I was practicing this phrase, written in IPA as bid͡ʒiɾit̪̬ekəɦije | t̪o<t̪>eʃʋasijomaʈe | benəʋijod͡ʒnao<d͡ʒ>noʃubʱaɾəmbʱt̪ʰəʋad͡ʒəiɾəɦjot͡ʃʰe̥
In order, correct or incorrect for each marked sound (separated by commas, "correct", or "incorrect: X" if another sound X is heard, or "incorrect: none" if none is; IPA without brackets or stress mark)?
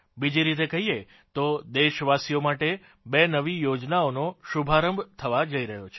incorrect: d̪, incorrect: none